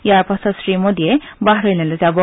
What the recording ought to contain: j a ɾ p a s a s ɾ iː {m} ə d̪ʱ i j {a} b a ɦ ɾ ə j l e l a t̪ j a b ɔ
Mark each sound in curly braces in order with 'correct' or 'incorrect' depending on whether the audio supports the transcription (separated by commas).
correct, incorrect